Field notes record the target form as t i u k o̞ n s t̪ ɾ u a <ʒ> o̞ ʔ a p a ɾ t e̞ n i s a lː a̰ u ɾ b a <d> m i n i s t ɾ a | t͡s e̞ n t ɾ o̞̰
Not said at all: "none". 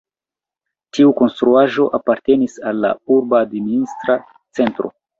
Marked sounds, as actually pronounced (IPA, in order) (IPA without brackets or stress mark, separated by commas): ʒ, d